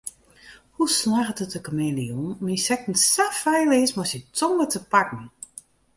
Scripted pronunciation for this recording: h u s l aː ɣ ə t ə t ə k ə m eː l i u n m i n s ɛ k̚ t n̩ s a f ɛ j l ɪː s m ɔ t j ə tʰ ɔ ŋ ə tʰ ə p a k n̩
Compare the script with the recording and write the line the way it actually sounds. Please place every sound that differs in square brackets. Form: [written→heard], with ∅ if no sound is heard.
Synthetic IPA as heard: h u s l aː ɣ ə t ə t ə k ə m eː l i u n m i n s ɛ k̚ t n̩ s a f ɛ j l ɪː s m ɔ [t→s] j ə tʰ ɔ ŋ ə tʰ ə p a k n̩